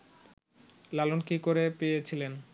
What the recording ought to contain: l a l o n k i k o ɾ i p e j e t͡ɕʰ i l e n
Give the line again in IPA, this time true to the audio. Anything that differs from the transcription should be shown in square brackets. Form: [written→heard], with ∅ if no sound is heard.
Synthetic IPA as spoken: l a l o n k i k o ɾ [i→e] p e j e t͡ɕʰ i l e n